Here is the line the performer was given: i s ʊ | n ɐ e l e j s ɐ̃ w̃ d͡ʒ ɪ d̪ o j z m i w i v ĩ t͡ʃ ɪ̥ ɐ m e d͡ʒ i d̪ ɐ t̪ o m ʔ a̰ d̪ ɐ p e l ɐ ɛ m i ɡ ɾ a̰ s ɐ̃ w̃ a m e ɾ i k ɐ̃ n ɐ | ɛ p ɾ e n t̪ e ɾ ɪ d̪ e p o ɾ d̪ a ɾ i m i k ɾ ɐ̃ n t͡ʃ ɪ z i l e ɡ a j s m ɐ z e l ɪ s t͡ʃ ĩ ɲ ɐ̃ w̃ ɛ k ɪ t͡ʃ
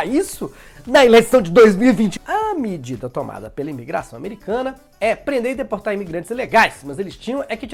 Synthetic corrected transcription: i s ʊ | n ɐ e l e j s ɐ̃ w̃ d͡ʒ ɪ d̪ o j z m i w i v ĩ t͡ʃ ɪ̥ ɐ m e d͡ʒ i d̪ ɐ t̪ o m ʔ a̰ d̪ ɐ p e l ɐ i m i ɡ ɾ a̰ s ɐ̃ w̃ a m e ɾ i k ɐ̃ n ɐ | ɛ p ɾ ẽ n d̪ e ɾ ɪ d̪ e p o ɾ t̪ a ɾ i m i ɡ ɾ ɐ̃ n t͡ʃ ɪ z i l e ɡ a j s m ɐ z e l ɪ s t͡ʃ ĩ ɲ ɐ̃ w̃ ɛ k ɪ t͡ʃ